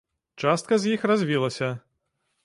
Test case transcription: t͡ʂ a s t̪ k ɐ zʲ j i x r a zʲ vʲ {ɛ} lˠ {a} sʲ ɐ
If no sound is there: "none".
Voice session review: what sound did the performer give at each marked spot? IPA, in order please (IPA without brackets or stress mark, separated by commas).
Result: i, ɐ